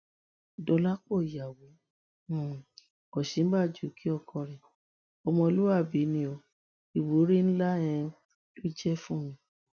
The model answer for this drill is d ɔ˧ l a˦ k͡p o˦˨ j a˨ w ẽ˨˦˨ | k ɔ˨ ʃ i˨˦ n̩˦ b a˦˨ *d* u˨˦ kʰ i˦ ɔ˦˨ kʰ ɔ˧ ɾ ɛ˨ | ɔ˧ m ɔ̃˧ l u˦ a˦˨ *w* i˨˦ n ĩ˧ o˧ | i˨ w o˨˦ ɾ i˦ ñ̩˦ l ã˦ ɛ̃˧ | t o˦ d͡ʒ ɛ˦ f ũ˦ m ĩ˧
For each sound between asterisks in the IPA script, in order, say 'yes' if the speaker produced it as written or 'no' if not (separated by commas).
no, no